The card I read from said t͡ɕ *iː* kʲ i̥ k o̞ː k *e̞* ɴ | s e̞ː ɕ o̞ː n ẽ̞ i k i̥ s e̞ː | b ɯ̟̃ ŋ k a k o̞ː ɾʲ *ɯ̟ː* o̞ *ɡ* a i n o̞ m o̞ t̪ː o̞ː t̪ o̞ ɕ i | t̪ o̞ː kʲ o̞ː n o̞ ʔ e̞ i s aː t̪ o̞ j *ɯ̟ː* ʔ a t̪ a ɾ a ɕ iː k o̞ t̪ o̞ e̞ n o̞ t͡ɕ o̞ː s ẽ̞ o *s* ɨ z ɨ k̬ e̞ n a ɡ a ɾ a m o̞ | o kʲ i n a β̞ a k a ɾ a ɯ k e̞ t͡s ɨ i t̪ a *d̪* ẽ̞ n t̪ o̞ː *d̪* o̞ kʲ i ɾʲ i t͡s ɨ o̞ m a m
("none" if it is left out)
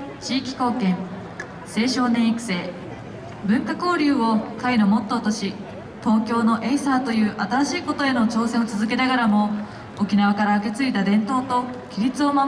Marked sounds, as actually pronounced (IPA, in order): iː, ẽ̞, ɯ̟ː, k, ɯ̟ː, t͡s, d̪, t̪

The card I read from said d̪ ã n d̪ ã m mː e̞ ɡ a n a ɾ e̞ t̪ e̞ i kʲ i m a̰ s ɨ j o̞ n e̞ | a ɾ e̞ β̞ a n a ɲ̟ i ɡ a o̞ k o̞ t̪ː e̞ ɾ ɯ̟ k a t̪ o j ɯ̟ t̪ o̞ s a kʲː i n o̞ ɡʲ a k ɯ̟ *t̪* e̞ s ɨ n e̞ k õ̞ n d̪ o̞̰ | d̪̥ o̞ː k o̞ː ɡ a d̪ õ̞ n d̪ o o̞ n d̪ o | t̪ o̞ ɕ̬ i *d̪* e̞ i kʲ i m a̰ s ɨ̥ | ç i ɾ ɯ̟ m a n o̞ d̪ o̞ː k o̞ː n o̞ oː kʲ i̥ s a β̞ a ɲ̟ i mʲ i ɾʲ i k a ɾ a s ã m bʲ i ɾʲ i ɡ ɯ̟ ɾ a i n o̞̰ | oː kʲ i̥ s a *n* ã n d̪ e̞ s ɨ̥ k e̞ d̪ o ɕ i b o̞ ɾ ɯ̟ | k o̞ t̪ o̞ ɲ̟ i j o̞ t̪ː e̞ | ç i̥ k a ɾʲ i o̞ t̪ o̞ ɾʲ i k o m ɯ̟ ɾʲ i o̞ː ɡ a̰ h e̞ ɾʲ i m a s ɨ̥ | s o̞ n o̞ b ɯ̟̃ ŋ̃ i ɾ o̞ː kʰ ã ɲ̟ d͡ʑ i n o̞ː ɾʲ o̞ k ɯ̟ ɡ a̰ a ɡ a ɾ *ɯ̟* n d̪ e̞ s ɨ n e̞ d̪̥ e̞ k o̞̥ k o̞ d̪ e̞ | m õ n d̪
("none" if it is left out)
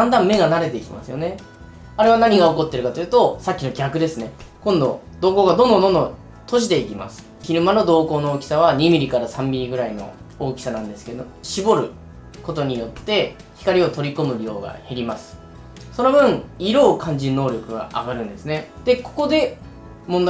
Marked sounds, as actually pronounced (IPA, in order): d̪, d̪, n, ɯ̟̃

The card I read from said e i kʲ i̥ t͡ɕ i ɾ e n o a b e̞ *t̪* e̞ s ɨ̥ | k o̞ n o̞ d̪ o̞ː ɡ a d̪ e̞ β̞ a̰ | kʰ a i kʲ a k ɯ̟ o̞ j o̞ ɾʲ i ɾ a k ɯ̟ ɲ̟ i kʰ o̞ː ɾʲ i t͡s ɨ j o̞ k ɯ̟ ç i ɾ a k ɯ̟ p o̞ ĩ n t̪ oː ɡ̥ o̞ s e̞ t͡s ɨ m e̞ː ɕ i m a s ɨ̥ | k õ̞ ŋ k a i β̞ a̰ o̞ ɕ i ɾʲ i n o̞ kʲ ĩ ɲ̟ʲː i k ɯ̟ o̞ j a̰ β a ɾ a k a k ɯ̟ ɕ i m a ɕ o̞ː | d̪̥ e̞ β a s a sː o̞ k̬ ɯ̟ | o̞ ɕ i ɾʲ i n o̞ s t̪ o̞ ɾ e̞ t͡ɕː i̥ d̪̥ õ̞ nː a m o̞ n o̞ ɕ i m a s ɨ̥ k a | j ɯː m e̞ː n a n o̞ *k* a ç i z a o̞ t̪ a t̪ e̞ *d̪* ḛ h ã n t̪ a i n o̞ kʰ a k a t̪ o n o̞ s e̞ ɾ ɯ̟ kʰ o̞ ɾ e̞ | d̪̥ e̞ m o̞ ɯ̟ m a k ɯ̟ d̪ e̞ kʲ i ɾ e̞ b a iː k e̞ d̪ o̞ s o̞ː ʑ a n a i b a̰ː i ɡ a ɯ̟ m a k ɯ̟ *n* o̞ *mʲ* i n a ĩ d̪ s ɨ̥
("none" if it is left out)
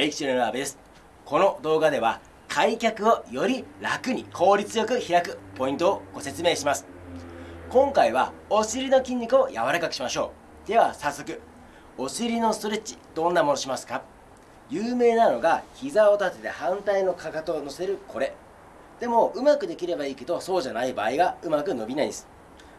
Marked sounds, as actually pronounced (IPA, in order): d̪, ɡ, t̪, n, bʲ

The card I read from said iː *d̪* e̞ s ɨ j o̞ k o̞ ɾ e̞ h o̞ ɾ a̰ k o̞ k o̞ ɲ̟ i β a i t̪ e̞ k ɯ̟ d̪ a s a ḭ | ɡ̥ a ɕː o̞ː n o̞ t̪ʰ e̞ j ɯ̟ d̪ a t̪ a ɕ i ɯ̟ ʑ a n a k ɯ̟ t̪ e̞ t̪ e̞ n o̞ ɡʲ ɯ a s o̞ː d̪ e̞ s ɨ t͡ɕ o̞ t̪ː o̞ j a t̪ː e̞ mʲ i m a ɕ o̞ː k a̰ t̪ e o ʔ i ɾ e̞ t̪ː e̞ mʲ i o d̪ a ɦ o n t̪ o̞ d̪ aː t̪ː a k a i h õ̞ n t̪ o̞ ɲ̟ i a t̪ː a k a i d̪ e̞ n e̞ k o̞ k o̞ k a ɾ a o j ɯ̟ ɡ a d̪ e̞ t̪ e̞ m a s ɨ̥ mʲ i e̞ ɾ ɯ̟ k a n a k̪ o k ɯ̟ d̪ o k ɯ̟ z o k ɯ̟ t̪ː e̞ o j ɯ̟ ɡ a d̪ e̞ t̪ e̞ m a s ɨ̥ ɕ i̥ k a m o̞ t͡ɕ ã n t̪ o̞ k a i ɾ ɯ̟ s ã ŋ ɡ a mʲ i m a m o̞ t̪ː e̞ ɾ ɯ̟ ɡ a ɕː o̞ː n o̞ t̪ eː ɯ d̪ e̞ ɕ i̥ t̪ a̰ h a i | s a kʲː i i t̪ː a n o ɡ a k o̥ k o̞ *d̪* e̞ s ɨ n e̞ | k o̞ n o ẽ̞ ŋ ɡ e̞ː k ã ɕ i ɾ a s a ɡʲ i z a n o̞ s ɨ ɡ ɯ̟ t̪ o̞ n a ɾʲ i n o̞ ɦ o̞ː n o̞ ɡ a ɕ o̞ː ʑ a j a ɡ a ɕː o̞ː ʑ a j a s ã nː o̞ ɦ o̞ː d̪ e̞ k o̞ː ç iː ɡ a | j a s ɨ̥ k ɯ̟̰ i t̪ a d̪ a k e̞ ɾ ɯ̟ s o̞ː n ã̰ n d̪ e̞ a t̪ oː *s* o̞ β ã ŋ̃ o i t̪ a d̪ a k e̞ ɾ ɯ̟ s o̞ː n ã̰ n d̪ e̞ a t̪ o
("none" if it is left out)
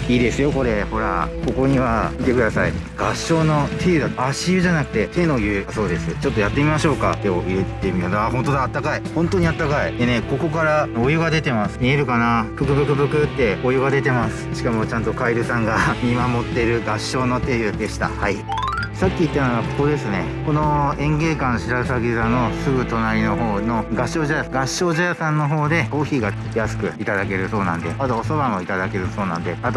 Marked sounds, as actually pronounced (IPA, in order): d̪, d̪, s

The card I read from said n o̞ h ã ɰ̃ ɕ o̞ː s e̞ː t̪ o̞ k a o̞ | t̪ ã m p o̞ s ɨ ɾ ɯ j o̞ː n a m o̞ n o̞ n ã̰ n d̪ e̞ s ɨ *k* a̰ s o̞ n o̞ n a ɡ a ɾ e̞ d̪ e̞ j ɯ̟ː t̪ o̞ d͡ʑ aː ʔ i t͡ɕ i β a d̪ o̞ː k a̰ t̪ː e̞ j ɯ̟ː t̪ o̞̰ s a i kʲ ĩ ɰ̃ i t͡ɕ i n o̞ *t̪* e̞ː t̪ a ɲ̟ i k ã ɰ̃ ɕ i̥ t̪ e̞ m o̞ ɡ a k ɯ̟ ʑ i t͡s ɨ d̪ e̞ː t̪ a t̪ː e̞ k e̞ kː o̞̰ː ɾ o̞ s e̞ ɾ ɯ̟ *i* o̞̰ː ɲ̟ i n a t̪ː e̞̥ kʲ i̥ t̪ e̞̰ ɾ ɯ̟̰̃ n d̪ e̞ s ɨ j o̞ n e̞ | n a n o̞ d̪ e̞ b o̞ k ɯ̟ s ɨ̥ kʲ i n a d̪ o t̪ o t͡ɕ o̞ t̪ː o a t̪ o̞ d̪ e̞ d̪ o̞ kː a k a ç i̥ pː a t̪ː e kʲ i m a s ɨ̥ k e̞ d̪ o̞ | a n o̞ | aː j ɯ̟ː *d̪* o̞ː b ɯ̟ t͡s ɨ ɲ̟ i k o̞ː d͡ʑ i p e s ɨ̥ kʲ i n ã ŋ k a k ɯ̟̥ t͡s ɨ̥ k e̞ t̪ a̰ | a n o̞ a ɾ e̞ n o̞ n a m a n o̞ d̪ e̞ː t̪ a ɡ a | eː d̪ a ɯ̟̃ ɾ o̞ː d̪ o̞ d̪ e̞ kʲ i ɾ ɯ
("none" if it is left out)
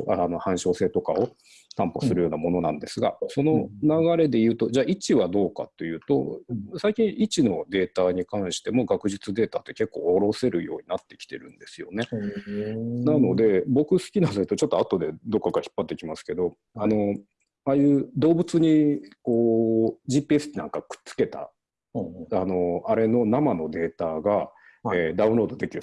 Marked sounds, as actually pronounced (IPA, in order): ɡ, d̪, j, d̪

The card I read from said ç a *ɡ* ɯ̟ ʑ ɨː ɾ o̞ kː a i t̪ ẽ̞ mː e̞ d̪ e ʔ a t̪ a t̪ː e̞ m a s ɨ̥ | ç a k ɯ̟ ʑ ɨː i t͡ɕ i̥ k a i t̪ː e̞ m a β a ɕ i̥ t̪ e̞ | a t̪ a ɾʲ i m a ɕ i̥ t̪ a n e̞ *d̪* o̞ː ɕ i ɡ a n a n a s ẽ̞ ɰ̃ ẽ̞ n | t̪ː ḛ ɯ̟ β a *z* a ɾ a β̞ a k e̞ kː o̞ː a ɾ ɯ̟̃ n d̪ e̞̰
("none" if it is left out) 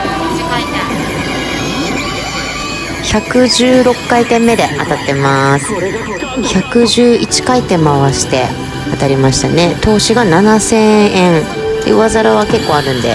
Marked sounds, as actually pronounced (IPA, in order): k, t̪, z

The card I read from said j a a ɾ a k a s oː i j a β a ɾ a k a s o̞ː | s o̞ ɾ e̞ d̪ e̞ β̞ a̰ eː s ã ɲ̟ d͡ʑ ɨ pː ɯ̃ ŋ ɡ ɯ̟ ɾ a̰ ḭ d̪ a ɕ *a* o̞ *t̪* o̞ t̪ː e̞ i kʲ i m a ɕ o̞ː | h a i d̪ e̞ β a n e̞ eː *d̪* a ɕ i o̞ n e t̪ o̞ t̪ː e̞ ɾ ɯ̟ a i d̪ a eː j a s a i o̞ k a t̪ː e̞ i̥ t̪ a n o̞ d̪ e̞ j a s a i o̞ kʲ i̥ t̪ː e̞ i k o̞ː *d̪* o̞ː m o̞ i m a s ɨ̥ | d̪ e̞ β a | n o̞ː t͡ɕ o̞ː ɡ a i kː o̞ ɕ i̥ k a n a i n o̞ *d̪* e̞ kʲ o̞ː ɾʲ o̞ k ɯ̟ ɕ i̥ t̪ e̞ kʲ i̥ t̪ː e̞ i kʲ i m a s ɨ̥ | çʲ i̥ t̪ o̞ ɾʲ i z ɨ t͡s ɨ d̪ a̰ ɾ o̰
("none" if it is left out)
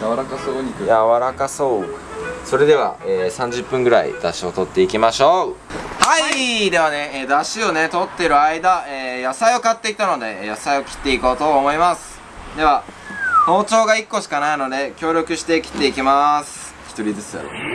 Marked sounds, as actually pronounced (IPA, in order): i, t̪, d̪, t̪, d̪

